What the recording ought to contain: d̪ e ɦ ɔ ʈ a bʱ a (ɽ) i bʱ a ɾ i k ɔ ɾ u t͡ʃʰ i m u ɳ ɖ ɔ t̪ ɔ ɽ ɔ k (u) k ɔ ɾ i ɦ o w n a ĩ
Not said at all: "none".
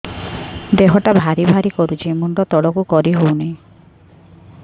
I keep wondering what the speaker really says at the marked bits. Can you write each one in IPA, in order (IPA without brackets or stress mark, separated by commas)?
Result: ɾ, u